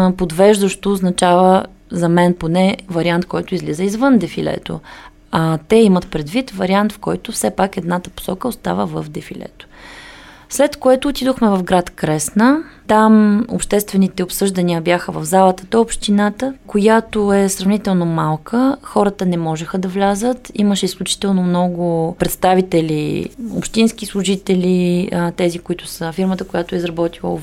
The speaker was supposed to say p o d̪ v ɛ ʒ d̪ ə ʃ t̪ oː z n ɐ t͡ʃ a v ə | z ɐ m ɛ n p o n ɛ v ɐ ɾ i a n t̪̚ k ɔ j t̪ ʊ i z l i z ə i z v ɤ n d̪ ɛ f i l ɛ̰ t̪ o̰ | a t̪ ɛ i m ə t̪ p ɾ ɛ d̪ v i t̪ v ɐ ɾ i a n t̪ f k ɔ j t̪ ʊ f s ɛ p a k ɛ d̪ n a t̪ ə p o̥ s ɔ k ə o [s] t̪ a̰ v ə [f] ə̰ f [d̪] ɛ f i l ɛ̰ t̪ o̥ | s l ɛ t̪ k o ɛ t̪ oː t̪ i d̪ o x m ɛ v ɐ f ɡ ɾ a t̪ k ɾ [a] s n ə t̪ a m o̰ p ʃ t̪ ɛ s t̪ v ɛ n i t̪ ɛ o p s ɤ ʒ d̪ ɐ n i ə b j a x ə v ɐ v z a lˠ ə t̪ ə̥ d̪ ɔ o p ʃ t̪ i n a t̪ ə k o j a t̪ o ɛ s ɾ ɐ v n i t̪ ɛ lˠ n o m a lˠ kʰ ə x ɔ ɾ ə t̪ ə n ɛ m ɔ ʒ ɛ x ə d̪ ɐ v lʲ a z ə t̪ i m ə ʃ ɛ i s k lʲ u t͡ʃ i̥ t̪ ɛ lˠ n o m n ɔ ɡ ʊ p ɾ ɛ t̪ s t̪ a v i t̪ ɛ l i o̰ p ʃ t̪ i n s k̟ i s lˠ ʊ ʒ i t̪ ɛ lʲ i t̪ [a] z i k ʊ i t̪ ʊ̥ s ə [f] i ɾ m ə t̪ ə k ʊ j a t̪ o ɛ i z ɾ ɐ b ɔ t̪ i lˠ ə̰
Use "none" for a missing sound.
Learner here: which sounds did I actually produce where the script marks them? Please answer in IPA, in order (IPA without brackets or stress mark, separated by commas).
s, v, d̪, ɛ, ɛ, f